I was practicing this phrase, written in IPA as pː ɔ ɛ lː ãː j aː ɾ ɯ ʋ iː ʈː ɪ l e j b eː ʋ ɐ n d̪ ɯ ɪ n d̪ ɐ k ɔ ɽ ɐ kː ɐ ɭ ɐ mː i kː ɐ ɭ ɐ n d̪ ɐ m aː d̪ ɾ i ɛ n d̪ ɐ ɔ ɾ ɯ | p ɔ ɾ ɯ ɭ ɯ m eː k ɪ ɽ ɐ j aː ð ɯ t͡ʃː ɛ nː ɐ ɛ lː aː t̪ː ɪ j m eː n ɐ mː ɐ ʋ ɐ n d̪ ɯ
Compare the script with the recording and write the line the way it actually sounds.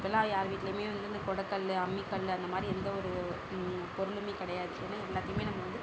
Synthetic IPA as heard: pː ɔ ɛ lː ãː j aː ɾ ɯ ʋ iː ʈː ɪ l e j m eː ʋ ɐ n d̪ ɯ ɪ n d̪ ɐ k ɔ ɽ ɐ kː ɐ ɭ ɐ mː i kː ɐ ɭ ɐ n d̪ ɐ m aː d̪ ɾ i ɛ n d̪ ɐ ɔ ɾ ɯ | p ɔ ɾ ɯ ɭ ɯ m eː k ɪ ɽ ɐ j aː ð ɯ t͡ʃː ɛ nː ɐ ɛ lː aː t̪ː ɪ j m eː n ɐ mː ɐ ʋ ɐ n d̪ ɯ